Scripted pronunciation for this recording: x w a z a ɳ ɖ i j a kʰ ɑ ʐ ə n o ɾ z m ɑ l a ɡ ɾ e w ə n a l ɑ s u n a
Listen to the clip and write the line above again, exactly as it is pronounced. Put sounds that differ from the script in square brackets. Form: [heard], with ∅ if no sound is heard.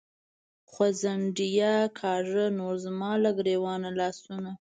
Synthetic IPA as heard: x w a z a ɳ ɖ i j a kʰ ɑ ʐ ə n o ɾ z m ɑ l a ɡ ɾ e w [ɑ] n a l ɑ s u n a